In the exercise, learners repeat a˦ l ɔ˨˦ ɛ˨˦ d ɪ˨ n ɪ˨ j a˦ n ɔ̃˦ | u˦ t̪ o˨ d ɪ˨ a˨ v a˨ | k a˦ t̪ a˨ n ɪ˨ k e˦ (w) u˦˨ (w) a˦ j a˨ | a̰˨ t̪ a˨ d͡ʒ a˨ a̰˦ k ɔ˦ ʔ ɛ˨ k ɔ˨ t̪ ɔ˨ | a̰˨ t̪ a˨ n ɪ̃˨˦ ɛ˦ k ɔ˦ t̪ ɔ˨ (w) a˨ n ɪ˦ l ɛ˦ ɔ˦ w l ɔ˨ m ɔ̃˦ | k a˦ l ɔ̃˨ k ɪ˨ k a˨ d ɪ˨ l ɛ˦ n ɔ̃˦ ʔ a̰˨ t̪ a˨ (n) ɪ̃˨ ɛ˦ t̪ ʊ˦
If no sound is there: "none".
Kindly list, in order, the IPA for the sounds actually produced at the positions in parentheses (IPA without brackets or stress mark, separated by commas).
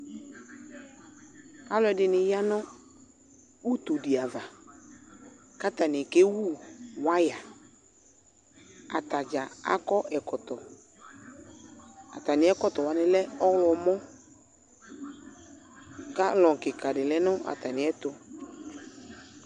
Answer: w, w, w, n